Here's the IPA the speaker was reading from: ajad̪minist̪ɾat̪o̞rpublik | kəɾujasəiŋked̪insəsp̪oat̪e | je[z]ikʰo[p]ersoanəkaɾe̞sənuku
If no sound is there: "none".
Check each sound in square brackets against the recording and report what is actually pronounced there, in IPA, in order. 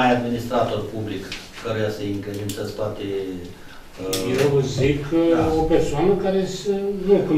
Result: z, p

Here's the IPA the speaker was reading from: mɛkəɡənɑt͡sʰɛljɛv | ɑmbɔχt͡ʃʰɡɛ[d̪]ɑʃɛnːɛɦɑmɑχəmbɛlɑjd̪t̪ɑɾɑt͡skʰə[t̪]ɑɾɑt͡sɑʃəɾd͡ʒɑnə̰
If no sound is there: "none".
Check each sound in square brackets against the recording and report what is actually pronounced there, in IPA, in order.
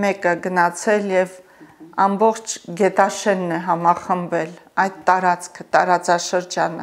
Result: t̪, t̪

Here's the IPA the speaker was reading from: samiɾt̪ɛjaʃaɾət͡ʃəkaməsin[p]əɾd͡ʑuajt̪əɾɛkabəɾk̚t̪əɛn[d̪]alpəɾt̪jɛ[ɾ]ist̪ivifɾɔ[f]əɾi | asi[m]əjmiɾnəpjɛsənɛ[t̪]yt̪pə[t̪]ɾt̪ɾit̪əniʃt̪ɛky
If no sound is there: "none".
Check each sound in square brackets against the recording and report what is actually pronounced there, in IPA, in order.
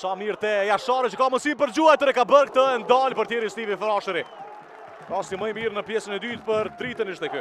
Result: p, d̪, ɾ, ʃ, m, d̪, none

